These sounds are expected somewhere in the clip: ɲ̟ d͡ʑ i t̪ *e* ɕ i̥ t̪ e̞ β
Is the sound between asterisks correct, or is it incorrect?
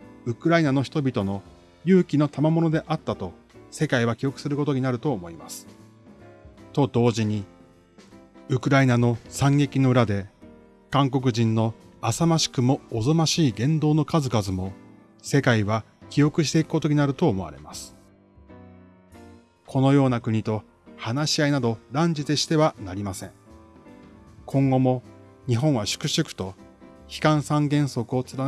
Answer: correct